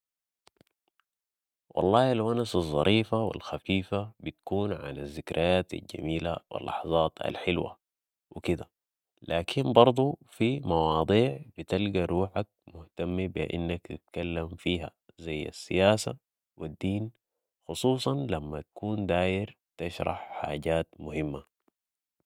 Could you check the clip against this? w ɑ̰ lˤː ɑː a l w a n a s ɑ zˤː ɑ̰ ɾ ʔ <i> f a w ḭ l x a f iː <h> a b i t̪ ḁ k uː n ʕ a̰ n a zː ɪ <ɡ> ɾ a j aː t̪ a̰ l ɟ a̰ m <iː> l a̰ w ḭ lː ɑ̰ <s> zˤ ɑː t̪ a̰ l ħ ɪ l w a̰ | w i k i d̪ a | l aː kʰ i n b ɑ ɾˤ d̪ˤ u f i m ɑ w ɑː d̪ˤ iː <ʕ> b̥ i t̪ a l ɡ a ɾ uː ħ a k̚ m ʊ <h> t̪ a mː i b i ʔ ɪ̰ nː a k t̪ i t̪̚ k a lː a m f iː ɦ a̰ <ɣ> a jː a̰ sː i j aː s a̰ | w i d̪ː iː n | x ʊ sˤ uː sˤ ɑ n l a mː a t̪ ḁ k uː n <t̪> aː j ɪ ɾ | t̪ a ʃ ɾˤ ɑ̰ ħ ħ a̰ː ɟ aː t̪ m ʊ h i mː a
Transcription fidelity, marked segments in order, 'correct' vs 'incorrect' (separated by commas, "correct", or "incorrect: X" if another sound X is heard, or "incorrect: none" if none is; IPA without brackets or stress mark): incorrect: iː, incorrect: f, incorrect: k, correct, incorrect: ħ, correct, correct, incorrect: z, incorrect: d̪